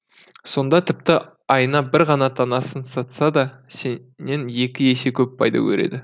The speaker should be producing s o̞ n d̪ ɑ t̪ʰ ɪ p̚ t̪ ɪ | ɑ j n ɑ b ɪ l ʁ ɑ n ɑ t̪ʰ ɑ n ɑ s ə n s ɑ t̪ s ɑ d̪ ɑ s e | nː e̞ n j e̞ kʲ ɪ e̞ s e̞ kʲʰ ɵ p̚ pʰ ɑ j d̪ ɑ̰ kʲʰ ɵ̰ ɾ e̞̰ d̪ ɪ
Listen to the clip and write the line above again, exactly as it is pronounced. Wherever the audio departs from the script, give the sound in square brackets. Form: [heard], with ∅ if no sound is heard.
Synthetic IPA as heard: s o̞ n d̪ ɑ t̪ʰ ɪ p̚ t̪ ɪ | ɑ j n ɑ b ɪ [ɾ] ʁ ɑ n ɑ t̪ʰ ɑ n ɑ s ə n s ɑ t̪ s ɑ d̪ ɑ s e | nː e̞ n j e̞ kʲ ɪ e̞ s e̞ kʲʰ ɵ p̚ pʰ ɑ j d̪ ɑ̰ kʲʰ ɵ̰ ɾ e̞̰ d̪ ɪ